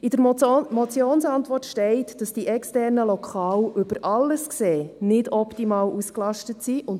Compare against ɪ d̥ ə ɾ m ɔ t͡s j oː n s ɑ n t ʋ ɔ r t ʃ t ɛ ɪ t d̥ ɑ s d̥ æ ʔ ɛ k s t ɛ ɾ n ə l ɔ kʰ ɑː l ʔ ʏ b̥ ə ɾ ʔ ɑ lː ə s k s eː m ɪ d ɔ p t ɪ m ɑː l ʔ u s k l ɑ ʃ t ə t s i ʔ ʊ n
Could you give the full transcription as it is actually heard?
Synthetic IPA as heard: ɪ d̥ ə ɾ m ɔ t͡s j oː n s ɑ n t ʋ ɔ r t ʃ t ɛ ɪ t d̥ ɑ s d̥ i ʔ ɛ k s t ɛ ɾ n ə l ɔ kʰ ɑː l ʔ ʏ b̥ ə ɾ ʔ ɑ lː ə s k s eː n ɪ d ɔ p t i m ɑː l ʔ u s k l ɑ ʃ t ə t s i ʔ ʊ n